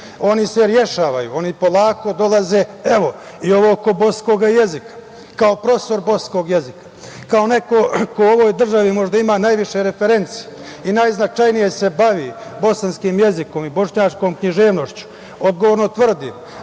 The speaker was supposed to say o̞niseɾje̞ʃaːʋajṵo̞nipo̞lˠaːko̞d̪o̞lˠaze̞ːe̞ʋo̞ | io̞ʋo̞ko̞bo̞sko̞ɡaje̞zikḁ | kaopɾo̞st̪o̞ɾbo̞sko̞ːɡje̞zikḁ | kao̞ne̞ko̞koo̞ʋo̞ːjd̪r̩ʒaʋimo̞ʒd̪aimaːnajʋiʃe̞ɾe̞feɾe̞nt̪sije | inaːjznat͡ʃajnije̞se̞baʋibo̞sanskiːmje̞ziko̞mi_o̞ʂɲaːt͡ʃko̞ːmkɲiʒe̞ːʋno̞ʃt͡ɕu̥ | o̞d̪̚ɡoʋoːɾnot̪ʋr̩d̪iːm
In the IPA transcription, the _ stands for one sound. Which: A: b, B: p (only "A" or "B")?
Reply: A